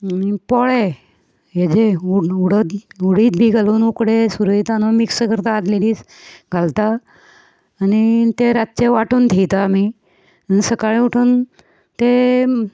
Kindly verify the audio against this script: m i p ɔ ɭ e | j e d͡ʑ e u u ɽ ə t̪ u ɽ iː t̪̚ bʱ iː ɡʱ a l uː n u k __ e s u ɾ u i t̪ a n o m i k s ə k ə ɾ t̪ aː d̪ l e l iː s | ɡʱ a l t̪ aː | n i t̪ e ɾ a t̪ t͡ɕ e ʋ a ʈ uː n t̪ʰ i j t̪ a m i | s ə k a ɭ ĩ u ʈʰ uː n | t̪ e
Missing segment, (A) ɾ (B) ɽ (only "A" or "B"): B